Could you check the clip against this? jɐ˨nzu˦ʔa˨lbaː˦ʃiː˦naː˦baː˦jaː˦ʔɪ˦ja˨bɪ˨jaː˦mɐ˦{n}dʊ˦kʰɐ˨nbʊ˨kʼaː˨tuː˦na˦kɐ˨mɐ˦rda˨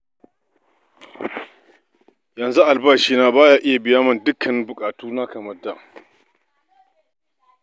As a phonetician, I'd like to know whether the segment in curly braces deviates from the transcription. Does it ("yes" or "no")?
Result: no